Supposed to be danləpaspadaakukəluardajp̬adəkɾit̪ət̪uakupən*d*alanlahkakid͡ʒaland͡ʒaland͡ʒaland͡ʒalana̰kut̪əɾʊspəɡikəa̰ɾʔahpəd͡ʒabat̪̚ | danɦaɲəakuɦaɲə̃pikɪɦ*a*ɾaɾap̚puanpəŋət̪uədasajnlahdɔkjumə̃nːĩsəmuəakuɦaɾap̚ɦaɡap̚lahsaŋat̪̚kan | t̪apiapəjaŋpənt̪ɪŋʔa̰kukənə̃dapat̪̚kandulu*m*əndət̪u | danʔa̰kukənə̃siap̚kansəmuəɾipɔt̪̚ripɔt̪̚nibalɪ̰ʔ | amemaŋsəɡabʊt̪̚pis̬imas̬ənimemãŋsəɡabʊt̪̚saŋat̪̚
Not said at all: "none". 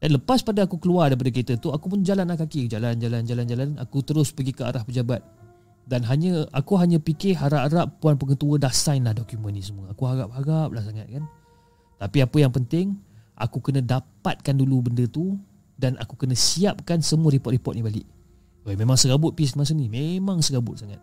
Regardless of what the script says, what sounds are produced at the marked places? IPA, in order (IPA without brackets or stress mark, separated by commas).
d͡ʒ, a, b